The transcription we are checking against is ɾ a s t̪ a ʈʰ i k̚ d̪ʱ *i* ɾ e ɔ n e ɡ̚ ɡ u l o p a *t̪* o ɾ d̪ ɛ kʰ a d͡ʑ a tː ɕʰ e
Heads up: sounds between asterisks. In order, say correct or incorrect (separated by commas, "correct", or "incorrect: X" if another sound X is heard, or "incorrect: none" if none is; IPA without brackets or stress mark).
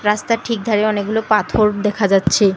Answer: incorrect: a, incorrect: t̪ʰ